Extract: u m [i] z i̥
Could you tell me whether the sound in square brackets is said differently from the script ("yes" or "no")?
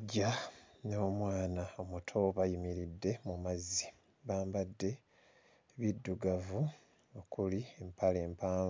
yes